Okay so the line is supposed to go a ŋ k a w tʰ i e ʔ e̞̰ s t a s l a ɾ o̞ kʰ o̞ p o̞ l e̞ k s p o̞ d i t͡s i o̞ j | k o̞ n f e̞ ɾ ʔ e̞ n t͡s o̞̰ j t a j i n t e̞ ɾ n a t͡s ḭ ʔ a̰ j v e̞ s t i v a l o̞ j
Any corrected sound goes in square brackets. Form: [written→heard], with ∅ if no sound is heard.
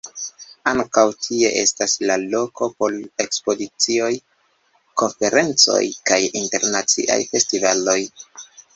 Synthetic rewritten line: a ŋ k a w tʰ i e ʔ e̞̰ s t a s l a [ɾ→l] o̞ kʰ o̞ p o̞ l e̞ k s p o̞ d i t͡s i o̞ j | k o̞ n f e̞ ɾ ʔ e̞ n t͡s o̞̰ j [t→k] a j i n t e̞ ɾ n a t͡s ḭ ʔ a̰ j [v→f] e̞ s t i v a l o̞ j